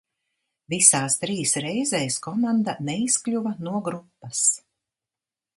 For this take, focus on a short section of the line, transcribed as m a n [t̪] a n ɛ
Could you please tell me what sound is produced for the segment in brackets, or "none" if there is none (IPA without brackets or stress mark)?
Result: d̪